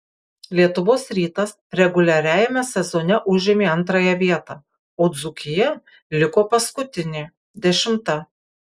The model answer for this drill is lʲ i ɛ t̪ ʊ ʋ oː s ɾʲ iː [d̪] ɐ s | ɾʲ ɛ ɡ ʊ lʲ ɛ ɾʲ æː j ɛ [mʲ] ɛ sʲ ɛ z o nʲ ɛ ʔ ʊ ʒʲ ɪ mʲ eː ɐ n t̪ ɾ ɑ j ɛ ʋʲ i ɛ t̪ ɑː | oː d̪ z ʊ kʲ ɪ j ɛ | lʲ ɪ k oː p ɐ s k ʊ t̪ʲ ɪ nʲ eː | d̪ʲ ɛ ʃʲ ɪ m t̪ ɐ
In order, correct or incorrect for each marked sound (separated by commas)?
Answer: incorrect, correct